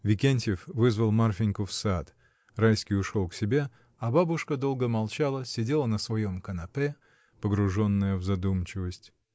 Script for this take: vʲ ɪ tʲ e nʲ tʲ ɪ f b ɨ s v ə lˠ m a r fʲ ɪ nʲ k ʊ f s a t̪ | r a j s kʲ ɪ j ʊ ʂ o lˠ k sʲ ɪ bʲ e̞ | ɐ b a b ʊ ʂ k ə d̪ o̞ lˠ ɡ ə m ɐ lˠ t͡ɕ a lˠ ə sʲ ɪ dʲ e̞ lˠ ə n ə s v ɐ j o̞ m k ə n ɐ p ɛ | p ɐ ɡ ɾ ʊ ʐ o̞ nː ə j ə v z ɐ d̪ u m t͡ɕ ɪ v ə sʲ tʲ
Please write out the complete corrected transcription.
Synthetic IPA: vʲ ɪ kʲ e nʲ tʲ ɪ f v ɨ z v ə lˠ m a r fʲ ɪ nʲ k ʊ f s a t̪ | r a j s kʲ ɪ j ʊ ʂ o lˠ k sʲ ɪ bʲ e̞ | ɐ b a b ʊ ʂ k ə d̪ o̞ lˠ ɡ ə m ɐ lˠ t͡ɕ a lˠ ə sʲ ɪ dʲ e̞ lˠ ə n ə s v ɐ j o̞ m k ə n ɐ p ɛ | p ə ɡ ɾ ʊ ʐ o̞ nː ə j ə v z ɐ d̪ u m t͡ɕ ɪ v ə sʲ tʲ